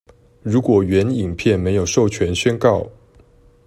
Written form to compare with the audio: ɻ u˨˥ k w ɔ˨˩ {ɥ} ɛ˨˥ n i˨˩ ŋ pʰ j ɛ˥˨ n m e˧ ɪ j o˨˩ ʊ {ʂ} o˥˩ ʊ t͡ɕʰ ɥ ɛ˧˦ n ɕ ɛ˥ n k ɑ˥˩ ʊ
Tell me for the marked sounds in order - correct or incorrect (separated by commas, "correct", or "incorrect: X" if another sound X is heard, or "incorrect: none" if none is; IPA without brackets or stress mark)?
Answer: correct, correct